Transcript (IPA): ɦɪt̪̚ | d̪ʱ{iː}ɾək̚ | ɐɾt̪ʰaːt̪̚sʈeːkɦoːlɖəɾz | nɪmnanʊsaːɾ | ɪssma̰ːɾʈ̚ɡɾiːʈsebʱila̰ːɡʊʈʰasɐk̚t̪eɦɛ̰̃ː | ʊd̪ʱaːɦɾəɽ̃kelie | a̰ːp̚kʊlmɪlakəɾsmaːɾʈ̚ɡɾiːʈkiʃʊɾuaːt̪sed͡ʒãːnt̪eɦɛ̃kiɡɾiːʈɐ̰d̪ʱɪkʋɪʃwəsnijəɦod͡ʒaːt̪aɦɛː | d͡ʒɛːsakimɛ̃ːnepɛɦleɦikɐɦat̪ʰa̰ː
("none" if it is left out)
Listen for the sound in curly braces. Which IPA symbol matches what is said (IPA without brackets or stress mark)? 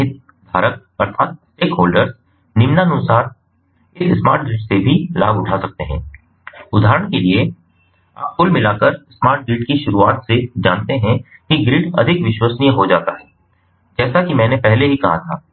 aː